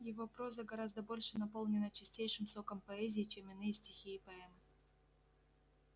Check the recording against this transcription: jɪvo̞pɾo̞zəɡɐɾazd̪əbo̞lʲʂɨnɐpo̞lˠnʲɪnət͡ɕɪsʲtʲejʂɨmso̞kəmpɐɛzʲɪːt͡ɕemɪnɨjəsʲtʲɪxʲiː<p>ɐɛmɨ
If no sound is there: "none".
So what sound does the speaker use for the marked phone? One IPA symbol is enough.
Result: p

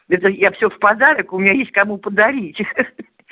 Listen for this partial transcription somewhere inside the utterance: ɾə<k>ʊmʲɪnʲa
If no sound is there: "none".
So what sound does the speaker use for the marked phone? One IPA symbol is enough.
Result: k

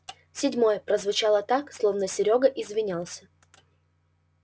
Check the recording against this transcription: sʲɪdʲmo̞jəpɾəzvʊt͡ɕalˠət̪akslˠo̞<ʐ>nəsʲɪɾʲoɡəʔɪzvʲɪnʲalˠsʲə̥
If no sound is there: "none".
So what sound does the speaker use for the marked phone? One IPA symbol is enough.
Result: v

